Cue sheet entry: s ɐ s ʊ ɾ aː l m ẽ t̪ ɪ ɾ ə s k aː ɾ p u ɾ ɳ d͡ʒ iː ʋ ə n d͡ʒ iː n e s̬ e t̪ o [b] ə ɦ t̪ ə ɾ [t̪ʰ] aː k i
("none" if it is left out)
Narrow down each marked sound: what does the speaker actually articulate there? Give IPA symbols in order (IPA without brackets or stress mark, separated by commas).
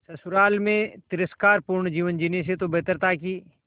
b, t̪